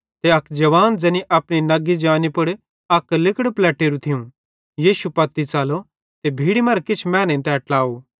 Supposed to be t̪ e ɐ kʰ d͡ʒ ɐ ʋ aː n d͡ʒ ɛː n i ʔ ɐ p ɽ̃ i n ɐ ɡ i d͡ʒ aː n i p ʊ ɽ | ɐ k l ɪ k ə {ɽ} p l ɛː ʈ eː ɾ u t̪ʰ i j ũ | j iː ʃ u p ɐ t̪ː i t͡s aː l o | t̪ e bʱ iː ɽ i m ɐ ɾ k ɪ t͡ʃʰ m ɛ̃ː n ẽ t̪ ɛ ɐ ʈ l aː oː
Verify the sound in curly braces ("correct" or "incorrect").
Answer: correct